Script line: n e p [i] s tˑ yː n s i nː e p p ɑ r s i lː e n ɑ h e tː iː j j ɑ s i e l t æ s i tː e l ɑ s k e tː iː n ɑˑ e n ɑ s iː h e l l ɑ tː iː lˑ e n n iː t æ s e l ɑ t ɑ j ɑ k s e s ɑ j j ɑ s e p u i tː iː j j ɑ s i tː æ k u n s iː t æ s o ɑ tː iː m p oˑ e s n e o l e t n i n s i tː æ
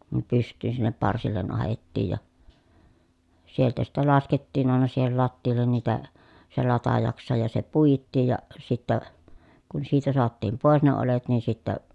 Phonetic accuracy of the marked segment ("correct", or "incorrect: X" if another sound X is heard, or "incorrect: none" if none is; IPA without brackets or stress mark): incorrect: y